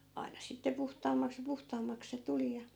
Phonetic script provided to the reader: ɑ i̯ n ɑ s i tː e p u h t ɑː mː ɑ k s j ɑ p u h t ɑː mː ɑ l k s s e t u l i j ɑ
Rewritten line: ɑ i̯ n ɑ s i tː e p u h t ɑː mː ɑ k s j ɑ p u h t ɑː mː ɑ k s s e t u l i j ɑ